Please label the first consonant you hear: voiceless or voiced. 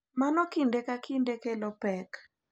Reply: voiced